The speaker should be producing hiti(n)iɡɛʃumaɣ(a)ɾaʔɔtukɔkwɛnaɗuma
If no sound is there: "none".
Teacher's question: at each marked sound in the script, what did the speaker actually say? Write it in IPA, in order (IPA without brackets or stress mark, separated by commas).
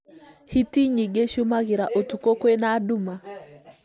ɲ, i